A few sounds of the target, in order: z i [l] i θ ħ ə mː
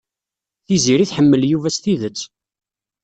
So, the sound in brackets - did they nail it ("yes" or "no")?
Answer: no